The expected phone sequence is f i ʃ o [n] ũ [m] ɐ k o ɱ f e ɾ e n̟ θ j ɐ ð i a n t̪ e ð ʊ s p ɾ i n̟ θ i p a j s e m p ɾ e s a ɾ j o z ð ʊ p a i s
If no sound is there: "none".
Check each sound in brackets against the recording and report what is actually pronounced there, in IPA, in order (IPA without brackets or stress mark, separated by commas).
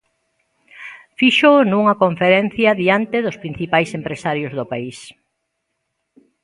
n, ŋ